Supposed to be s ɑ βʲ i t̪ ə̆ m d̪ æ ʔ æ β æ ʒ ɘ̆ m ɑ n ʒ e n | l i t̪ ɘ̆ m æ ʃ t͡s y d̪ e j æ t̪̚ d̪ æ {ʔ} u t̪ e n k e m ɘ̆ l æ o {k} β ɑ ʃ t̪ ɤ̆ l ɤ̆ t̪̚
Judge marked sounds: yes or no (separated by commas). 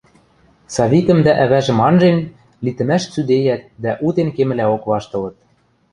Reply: yes, yes